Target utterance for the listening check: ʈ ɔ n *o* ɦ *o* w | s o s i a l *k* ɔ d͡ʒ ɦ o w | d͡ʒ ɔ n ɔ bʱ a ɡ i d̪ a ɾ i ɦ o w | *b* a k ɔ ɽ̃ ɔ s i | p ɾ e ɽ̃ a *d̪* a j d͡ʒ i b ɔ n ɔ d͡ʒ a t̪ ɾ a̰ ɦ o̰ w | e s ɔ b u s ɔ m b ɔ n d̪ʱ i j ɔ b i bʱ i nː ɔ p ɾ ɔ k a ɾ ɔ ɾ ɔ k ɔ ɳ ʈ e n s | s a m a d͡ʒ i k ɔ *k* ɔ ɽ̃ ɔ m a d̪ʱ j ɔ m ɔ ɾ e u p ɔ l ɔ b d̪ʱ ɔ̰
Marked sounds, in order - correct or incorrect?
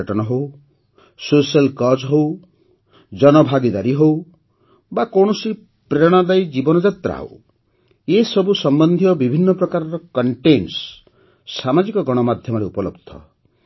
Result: incorrect: ɔ, correct, correct, correct, correct, incorrect: ɡ

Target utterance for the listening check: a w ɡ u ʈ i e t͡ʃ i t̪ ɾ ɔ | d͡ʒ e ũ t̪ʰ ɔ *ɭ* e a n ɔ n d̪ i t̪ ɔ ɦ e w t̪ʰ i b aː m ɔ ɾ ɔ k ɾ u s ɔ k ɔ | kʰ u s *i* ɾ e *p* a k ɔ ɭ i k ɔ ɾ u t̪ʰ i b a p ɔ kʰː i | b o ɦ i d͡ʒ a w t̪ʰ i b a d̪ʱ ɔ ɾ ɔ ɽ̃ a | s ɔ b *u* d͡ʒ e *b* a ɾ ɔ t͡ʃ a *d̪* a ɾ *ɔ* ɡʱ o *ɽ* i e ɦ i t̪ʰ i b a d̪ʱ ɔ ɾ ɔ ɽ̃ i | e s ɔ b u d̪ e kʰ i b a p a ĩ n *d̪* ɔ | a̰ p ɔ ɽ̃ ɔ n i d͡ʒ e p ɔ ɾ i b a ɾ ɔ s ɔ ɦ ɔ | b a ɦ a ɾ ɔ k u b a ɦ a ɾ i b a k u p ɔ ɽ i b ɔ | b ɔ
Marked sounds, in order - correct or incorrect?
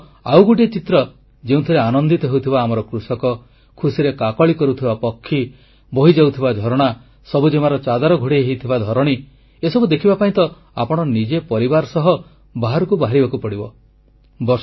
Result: incorrect: ɾ, correct, incorrect: k, correct, incorrect: m, correct, correct, correct, incorrect: t̪

